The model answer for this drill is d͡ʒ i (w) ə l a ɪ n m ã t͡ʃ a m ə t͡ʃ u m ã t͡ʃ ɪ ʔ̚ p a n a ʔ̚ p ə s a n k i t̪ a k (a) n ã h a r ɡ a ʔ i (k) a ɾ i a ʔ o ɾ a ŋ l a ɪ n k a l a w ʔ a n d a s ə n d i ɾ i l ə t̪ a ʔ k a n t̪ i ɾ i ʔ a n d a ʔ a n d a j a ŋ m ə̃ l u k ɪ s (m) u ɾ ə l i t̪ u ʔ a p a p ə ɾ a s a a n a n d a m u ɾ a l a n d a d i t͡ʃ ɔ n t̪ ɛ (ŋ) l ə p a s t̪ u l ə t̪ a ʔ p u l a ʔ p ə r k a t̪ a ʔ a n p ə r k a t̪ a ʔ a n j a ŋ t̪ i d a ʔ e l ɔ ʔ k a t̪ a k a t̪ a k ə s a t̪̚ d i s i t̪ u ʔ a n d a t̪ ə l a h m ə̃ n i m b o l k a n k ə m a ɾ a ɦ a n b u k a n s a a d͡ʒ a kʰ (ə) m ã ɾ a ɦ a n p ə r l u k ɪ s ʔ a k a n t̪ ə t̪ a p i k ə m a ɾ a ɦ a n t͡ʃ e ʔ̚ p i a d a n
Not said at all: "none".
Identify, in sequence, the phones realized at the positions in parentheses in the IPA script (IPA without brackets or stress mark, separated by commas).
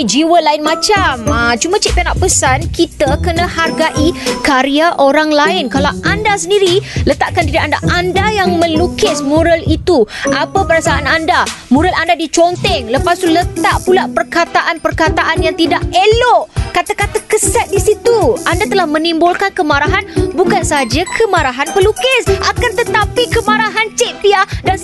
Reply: w, ə, k, m, ŋ, ə